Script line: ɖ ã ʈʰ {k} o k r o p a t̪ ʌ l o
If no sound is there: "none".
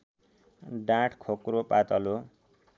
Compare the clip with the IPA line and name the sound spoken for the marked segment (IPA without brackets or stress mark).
kʰ